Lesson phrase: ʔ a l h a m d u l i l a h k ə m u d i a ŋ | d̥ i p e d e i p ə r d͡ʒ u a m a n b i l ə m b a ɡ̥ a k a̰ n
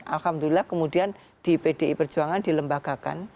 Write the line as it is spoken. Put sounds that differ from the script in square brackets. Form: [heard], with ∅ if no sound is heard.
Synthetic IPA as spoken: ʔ a l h a m d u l i l a h k ə m u d i a [n] | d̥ i p e d e i p ə r d͡ʒ u a [ŋ] a n [d] i l ə m b a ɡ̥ a k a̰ n